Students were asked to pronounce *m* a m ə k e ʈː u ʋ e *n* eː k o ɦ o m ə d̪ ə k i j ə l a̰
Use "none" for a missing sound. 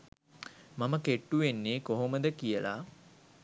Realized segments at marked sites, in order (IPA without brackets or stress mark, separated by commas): m, nː